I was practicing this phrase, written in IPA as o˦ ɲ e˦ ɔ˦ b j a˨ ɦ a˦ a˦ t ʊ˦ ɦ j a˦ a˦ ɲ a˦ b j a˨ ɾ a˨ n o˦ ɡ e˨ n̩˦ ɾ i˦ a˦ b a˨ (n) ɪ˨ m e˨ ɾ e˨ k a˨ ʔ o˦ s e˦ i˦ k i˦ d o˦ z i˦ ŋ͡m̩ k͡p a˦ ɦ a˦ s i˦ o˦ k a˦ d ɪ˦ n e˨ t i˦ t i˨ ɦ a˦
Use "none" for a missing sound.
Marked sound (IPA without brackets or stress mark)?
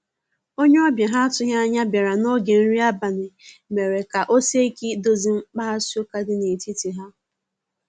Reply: n